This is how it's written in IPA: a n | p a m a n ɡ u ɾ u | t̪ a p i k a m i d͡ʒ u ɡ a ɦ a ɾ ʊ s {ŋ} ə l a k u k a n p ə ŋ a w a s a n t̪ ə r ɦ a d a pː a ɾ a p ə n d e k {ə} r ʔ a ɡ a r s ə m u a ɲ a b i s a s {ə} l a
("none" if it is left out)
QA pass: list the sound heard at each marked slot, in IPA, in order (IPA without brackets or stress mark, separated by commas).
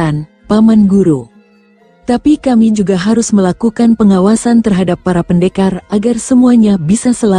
m, a, ə